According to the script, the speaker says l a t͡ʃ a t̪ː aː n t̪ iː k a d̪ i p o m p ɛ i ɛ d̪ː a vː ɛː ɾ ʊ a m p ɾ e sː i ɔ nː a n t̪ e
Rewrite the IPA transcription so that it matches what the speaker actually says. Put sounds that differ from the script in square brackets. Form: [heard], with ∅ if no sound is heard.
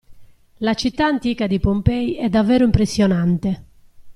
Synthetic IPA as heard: l a t͡ʃ [i] t̪ː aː n t̪ iː k a d̪ i p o m p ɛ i ɛ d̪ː a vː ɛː ɾ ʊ [i] m p ɾ e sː [j] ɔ [n] a n t̪ e